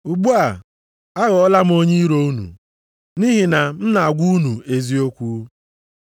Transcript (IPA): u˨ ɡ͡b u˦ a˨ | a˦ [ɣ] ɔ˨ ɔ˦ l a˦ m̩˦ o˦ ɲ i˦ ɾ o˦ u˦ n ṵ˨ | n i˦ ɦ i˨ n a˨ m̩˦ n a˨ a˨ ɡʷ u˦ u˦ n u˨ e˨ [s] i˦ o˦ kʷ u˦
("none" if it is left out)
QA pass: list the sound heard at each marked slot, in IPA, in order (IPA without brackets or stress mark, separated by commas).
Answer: ɣ, z